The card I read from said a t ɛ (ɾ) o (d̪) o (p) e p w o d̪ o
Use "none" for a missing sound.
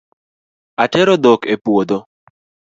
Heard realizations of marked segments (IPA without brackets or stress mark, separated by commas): ɾ, d̪, k